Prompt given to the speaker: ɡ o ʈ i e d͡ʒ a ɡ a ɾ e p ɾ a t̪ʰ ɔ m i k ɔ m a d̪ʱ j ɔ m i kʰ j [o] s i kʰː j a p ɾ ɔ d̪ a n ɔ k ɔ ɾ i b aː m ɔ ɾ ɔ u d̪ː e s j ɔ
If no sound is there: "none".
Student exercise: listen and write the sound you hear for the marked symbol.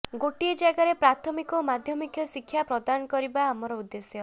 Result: ɔ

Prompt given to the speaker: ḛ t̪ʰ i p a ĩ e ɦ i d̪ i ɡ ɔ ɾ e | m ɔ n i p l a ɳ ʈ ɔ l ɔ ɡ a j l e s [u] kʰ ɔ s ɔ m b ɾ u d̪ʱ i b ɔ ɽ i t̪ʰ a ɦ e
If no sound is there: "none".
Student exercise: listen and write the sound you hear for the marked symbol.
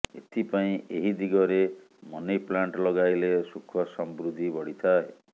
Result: u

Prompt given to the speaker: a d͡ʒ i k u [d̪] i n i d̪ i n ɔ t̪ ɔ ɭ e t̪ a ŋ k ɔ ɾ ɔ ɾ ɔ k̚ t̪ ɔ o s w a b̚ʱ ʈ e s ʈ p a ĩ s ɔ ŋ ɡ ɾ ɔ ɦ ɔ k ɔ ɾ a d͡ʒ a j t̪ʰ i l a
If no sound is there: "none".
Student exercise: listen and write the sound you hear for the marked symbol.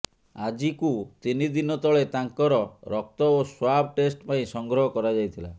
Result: t̪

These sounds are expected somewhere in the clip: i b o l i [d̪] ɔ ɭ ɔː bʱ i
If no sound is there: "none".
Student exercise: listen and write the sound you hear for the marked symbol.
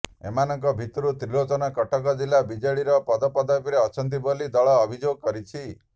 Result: d̪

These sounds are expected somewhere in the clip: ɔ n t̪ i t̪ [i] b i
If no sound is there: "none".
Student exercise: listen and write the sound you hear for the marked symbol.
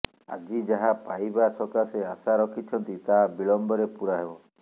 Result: a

